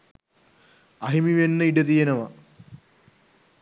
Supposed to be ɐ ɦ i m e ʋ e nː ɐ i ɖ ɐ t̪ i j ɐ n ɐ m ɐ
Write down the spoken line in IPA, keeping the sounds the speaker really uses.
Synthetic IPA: ɐ ɦ i m i ʋ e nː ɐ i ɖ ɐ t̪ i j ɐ n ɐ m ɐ